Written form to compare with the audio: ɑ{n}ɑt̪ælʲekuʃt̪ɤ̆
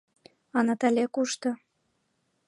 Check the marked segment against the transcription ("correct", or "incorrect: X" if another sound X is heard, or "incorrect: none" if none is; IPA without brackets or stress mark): correct